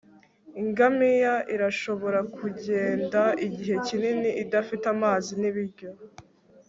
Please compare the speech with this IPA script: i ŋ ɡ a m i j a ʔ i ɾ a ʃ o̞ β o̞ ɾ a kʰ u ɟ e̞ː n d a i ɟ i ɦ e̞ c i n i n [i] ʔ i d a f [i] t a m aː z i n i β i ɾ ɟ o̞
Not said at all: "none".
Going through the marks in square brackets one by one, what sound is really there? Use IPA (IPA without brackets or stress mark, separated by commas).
i, i